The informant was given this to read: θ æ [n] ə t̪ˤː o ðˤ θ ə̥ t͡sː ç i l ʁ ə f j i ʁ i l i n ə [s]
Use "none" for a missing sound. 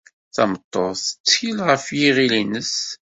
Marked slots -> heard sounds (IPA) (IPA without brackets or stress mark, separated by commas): m, s